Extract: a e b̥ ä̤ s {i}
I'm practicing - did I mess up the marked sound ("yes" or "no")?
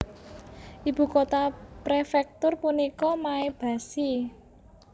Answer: no